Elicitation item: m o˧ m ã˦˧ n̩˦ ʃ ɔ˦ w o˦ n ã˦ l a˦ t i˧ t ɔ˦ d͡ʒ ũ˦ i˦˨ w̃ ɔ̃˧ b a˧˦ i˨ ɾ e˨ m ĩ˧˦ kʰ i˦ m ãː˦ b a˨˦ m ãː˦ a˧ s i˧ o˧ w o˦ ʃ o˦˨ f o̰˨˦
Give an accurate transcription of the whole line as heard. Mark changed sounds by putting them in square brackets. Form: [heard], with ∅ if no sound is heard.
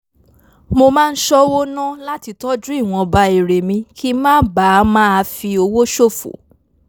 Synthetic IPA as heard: m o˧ m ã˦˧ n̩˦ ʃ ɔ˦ w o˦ n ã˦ l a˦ t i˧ t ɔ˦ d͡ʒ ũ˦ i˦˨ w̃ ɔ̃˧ b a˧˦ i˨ ɾ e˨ m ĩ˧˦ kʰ i˦ m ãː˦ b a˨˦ m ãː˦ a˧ [f] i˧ o˧ w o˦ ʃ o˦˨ f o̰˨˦